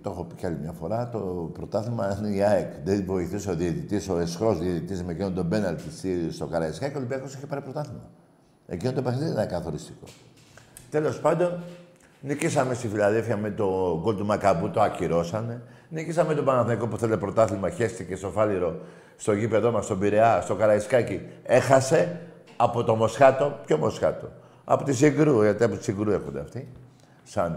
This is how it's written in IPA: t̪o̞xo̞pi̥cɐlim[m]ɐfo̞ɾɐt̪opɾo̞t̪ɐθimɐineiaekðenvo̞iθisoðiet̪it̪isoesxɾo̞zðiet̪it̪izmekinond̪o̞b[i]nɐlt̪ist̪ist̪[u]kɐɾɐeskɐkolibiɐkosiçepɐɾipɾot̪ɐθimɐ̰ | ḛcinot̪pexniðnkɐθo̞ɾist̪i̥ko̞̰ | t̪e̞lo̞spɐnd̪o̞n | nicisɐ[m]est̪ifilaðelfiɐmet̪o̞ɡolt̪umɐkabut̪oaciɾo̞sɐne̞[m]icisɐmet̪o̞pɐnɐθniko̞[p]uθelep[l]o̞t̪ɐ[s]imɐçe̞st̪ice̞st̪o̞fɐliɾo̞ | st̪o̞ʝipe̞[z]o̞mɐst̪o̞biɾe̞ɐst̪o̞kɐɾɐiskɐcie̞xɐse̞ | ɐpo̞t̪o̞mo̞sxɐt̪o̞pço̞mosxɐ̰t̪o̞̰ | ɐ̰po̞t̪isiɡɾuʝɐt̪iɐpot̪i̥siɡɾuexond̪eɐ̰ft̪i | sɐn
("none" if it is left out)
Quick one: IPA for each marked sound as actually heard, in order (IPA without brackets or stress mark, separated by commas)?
ɲ, e, o, m, n, p, ɾ, θ, ð